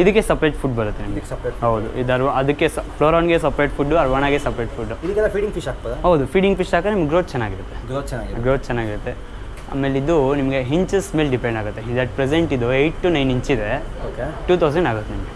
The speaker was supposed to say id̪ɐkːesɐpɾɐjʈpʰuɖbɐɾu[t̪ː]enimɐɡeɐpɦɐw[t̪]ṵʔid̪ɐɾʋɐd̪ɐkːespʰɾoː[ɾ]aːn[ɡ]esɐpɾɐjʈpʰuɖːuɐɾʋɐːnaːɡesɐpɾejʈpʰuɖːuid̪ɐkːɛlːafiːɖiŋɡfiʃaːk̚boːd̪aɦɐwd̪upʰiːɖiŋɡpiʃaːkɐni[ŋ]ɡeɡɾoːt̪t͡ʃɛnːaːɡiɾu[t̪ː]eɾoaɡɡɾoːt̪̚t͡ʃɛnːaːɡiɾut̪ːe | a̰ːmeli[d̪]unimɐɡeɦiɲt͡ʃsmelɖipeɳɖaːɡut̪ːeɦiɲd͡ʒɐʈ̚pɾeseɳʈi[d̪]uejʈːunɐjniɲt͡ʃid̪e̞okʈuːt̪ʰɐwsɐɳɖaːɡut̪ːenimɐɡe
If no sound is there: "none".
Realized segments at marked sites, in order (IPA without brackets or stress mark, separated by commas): t̪ː, d̪, ɾ, ɡ, m, t̪ː, d̪, d̪